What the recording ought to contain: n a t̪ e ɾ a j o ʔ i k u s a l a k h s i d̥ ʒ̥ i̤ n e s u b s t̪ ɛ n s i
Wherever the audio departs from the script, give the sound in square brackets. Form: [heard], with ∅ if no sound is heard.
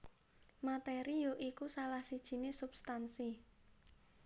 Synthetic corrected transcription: [m] a t̪ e ɾ [i] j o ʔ i k u s a l a [∅] h s i d̥ ʒ̥ i̤ n e s u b s t̪ [a] n s i